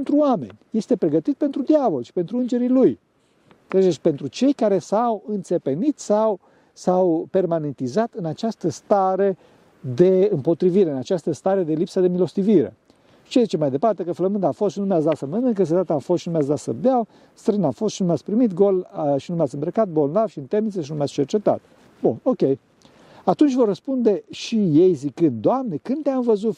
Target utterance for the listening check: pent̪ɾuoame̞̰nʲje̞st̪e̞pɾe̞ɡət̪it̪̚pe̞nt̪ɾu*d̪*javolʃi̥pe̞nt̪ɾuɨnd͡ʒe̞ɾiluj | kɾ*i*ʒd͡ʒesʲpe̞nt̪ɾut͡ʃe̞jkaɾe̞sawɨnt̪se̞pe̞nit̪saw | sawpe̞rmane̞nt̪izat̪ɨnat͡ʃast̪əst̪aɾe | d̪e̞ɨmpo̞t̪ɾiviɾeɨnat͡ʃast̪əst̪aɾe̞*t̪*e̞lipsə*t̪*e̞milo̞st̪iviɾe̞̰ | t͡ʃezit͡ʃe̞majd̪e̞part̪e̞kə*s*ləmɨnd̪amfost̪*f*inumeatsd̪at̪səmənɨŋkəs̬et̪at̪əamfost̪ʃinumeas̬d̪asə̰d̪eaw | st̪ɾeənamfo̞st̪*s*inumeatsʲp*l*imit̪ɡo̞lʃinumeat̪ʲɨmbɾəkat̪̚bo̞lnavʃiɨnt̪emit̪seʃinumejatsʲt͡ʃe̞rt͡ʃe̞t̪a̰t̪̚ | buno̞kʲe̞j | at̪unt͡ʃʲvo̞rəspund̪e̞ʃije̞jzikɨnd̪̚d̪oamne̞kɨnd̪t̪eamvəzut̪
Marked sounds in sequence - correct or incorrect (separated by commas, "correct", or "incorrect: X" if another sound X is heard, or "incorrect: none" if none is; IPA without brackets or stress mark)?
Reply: correct, incorrect: e, incorrect: d̪, incorrect: d̪, incorrect: f, incorrect: ʃ, incorrect: ʃ, incorrect: ɾ